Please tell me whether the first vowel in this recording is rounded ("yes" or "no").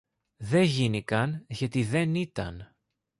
no